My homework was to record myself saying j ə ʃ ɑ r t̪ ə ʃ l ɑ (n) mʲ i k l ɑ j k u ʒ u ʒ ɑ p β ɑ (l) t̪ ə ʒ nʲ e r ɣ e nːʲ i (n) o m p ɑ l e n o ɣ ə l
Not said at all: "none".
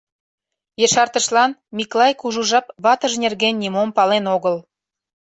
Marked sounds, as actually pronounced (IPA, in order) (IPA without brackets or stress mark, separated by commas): n, none, m